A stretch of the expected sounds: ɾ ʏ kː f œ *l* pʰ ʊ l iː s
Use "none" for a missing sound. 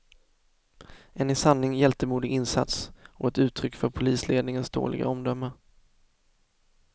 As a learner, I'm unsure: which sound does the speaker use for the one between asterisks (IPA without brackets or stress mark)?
ɾ